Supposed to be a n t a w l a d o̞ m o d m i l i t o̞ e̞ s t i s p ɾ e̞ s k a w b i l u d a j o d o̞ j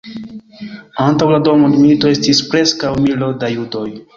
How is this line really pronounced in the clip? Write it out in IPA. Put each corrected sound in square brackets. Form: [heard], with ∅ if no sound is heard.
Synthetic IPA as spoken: a n t a w l a d o̞ m o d m i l i t o̞ e̞ s t i s p ɾ e̞ s k a w [m] i l [o] d a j [u] d o̞ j

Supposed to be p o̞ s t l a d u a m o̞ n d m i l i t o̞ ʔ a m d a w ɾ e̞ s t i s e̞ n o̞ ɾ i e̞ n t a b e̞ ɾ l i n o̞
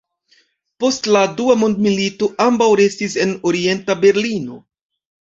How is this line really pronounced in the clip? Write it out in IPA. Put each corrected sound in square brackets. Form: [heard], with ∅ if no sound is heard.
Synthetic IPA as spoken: p o̞ s t l a d u a m o̞ n d m i l i t o̞ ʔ a m [b] a w ɾ e̞ s t i s e̞ n o̞ ɾ i e̞ n t a b e̞ ɾ l i n o̞

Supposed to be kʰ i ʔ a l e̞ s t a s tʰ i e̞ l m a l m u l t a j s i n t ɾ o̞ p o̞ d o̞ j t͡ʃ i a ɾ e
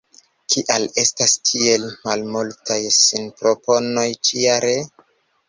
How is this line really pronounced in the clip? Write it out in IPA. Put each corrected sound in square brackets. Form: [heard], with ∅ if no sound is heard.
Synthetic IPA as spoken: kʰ i ʔ a l e̞ s t a s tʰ i e̞ l m a l m u l t a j s i n [p] ɾ o̞ p o̞ [n] o̞ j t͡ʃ i a ɾ e

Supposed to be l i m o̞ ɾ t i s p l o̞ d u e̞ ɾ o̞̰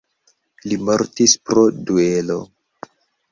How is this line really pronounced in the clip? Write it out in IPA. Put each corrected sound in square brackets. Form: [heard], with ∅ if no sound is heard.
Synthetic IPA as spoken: l i m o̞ ɾ t i s p [ɾ] o̞ d u e̞ [l] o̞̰

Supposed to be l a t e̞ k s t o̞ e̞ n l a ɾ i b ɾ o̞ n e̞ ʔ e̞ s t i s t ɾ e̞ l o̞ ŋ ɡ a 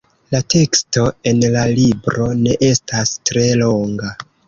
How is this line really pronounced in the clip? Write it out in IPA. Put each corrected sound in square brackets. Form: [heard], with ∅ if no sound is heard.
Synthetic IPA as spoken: l a t e̞ k s t o̞ e̞ n l a [l] i b ɾ o̞ n e̞ ʔ e̞ s t [a] s t ɾ e̞ l o̞ ŋ ɡ a

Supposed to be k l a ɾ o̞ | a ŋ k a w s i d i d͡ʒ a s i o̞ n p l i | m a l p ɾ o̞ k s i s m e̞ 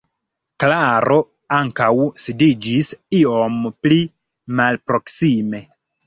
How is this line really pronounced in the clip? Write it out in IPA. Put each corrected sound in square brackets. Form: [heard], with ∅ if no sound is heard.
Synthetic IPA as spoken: k l a ɾ o̞ | a ŋ k a w s i d i d͡ʒ [i] s i o̞ [m] p l i | m a l p ɾ o̞ k s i [∅] m e̞

